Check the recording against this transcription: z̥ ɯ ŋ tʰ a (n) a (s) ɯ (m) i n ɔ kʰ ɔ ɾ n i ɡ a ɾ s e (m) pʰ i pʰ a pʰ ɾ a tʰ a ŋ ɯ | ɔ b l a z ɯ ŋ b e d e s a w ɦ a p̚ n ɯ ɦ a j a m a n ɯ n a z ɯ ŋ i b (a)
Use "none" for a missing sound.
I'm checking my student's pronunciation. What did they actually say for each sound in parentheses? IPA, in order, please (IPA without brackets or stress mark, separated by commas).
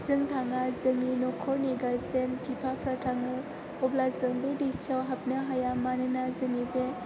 ŋ, z, ŋ, n, e